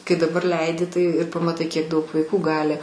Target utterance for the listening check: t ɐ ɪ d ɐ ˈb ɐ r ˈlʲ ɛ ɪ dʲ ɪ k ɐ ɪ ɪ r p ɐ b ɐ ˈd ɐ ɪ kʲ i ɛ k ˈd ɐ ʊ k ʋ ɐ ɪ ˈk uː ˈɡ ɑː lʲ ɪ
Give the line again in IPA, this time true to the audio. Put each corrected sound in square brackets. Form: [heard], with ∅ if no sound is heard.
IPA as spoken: [k] ɐ ɪ d ɐ ˈb ɐ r ˈlʲ ɛ ɪ dʲ ɪ [t] ɐ ɪ ɪ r p ɐ [m] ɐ [ˈt] ɐ ɪ kʲ i ɛ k ˈd ɐ ʊ k ʋ ɐ ɪ ˈk uː ˈɡ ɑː lʲ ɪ